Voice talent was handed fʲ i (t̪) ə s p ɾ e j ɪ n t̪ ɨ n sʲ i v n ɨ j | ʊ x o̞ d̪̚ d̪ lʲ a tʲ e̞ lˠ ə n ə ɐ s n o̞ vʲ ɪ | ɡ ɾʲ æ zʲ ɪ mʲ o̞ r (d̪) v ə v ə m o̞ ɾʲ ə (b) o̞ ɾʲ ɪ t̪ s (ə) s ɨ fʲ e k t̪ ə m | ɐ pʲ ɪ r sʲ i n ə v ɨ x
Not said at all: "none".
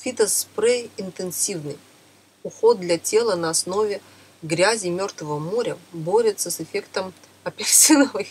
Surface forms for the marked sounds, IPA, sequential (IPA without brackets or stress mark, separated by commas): t̪, t̪, b, ə